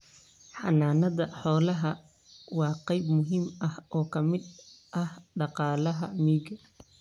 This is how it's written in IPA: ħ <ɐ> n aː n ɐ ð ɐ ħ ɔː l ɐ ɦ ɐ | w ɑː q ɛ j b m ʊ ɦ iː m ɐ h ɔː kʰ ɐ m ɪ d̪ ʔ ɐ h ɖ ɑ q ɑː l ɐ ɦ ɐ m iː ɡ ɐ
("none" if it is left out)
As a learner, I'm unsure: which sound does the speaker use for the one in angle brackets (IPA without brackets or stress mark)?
ɑ